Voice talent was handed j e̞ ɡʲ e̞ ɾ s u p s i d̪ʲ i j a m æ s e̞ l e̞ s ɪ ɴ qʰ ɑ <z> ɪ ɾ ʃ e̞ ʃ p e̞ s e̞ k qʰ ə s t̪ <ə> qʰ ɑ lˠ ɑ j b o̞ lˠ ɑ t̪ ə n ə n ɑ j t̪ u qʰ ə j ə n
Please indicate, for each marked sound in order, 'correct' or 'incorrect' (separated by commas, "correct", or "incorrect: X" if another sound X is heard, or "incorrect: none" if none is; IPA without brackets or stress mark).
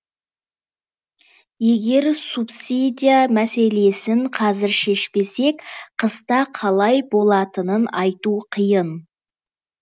correct, incorrect: ɑ